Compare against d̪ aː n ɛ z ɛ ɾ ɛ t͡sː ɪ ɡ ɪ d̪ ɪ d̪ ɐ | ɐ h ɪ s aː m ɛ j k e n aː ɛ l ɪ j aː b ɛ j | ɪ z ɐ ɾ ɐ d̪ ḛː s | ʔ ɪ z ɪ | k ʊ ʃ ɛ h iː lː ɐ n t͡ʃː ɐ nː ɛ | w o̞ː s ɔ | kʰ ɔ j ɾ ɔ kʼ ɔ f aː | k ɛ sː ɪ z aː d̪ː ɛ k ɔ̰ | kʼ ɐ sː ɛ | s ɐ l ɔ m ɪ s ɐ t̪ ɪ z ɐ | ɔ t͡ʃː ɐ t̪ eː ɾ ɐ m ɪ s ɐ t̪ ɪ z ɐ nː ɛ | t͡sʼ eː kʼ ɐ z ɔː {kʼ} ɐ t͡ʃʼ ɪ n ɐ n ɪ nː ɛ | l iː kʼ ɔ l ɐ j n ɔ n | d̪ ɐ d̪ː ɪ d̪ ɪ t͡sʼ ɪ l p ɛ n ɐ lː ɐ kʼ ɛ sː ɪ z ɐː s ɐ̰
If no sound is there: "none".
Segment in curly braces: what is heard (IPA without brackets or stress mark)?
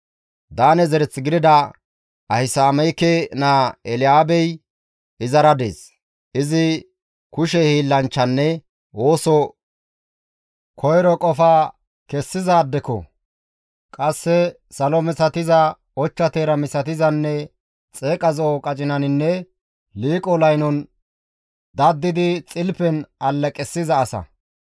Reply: kʼ